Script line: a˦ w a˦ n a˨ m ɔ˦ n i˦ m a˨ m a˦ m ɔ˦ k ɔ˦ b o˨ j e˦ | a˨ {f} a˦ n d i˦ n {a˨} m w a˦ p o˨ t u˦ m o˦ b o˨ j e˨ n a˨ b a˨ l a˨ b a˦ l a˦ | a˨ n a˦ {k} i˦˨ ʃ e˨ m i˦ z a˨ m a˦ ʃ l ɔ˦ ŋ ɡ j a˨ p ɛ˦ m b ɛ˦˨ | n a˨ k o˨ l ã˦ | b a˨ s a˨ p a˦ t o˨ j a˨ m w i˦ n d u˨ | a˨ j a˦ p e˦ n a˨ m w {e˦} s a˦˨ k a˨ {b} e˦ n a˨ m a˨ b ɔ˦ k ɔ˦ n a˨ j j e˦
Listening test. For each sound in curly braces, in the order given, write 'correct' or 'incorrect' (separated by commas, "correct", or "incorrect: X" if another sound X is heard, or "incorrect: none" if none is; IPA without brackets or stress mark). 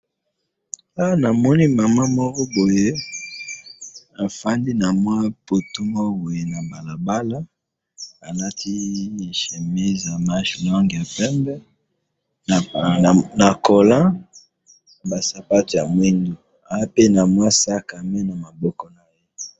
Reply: correct, correct, incorrect: t, incorrect: a˦, incorrect: m